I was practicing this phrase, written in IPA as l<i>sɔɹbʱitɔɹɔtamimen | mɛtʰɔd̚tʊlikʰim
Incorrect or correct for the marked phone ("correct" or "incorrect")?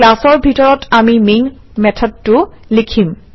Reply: incorrect